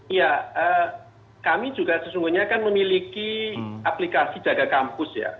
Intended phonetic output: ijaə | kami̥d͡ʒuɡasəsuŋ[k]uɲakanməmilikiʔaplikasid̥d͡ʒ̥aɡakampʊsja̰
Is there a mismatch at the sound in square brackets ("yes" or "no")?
yes